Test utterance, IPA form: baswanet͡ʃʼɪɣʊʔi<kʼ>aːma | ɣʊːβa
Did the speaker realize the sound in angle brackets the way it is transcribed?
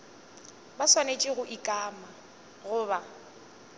yes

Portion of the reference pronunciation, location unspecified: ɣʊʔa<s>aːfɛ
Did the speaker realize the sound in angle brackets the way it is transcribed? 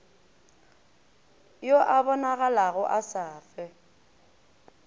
yes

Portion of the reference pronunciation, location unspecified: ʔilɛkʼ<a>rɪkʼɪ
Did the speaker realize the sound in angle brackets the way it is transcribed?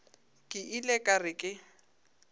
yes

